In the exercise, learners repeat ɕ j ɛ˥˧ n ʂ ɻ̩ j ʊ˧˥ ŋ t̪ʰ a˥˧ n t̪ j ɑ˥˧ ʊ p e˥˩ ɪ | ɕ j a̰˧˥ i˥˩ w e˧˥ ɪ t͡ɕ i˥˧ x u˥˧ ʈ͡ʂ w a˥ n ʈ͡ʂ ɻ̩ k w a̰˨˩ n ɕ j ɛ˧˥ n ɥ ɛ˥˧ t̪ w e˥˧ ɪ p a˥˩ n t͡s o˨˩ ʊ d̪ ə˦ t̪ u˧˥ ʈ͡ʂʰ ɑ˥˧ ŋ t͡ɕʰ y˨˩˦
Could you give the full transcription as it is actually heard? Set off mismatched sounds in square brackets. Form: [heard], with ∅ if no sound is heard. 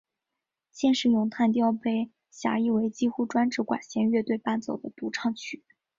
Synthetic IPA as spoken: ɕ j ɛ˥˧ n ʂ ɻ̩ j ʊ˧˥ ŋ t̪ʰ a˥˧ n t̪ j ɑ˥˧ ʊ p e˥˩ ɪ | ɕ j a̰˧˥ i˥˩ w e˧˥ ɪ t͡ɕ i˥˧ x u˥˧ ʈ͡ʂ w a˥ n ʈ͡ʂ ɻ̩ k w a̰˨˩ n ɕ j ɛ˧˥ n ɥ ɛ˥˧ t̪ w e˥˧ ɪ p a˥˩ n t͡s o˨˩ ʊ d̪ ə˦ t̪ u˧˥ ʈ͡ʂʰ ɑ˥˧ ŋ t͡ɕʰ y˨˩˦